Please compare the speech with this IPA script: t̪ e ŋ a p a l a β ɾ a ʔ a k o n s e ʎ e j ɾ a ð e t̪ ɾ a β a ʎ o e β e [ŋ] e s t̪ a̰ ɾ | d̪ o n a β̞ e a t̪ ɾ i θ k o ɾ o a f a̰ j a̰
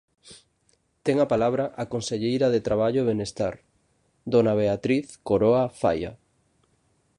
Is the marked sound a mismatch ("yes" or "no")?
yes